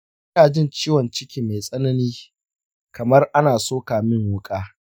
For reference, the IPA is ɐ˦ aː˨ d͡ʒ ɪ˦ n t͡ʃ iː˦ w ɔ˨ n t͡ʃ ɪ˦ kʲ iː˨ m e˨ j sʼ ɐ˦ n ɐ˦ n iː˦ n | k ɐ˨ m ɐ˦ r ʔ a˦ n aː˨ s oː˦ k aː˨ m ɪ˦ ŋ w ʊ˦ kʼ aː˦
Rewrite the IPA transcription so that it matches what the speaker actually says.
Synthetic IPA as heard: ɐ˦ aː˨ d͡ʒ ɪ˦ n t͡ʃ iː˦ w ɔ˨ n t͡ʃ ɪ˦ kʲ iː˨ m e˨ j sʼ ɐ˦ n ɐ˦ n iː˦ | k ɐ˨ m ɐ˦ r ʔ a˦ n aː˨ s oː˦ k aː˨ m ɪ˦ ŋ w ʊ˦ kʼ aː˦